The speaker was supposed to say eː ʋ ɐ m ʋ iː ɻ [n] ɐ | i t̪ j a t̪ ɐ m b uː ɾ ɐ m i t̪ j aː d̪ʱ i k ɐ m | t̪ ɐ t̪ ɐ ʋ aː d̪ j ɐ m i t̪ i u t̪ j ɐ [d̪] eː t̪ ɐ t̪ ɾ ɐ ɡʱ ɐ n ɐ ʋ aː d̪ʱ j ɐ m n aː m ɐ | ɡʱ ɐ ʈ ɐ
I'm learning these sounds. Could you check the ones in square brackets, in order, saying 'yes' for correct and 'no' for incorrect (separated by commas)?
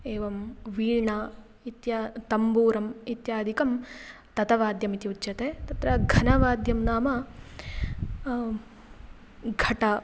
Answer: no, no